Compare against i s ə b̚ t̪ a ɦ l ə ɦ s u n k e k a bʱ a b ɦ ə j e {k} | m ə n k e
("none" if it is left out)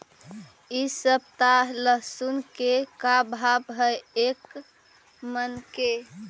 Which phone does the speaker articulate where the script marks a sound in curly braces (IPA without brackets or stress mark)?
k